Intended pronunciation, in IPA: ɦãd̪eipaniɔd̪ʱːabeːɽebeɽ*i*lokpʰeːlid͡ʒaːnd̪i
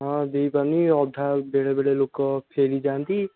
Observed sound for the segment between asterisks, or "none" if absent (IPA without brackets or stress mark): e